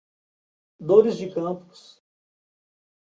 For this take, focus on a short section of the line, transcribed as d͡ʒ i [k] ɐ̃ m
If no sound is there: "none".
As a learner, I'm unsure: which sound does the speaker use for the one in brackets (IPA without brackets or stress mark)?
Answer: k